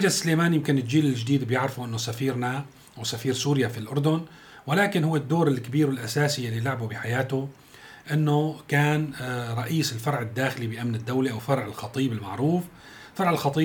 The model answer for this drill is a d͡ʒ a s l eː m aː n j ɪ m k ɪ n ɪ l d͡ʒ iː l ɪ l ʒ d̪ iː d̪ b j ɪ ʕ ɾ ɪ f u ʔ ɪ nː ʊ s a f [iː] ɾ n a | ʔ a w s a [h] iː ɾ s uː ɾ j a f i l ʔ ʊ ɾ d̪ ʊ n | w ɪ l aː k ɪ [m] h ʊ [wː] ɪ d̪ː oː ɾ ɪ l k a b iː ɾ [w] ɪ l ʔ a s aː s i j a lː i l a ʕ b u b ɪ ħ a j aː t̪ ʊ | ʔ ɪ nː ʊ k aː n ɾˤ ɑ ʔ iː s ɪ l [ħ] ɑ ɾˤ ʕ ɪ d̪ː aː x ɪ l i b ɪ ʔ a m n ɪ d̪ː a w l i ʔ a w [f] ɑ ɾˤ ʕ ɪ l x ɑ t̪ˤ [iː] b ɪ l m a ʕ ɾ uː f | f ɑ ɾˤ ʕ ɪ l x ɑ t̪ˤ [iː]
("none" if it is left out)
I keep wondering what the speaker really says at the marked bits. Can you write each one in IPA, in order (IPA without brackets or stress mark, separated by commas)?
iː, f, n, wː, w, f, f, iː, iː